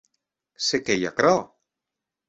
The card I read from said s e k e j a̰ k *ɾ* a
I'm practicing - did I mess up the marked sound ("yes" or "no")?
no